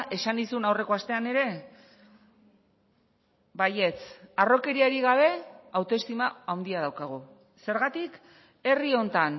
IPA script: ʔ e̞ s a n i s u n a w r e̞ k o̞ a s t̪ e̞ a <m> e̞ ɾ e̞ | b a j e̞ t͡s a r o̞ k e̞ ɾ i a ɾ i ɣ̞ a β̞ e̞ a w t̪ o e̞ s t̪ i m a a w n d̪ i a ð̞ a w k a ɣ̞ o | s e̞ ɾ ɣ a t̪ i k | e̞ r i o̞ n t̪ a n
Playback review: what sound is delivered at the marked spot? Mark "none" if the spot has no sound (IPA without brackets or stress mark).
n